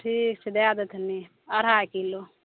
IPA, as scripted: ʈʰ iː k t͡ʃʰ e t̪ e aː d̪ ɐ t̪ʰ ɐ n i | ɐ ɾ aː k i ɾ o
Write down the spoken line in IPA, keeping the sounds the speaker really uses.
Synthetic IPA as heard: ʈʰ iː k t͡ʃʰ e d̪ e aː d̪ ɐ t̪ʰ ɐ n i | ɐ ɾ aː k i l o